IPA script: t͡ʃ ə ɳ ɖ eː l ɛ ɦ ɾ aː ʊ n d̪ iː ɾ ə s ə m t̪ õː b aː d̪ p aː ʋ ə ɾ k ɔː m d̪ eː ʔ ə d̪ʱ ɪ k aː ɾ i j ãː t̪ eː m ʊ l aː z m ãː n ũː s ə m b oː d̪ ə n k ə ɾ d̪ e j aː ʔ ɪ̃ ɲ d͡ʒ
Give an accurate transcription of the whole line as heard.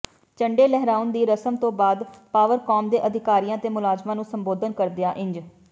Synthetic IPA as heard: t͡ʃ ə ɳ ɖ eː l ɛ ɦ ɾ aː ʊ n d̪ iː ɾ ə s ə m t̪ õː b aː d̪ p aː ʋ ə ɾ k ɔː m d̪ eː ʔ ə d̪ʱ ɪ k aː ɾ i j ãː t̪ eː m ʊ l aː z m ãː n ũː s ə m b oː d̪ ə n k ə ɾ d̪ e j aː ʔ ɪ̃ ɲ d͡ʒ